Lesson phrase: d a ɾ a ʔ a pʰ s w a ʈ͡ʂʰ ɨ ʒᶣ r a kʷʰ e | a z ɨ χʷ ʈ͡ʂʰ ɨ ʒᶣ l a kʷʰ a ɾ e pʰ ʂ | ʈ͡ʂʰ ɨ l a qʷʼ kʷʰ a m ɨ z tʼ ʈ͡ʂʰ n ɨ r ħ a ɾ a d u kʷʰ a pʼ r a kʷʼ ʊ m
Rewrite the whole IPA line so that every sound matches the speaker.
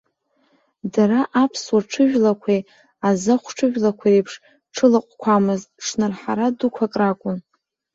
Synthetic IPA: d a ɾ a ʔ a pʰ s w a ʈ͡ʂʰ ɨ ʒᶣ l a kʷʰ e | a z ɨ χʷ ʈ͡ʂʰ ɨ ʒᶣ l a kʷʰ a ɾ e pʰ ʂ | ʈ͡ʂʰ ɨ l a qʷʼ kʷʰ a m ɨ z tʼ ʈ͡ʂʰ n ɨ r ħ a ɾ a d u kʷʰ a kʼ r a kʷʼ ʊ n